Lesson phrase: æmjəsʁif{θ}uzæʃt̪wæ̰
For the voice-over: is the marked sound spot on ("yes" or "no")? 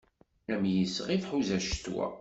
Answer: no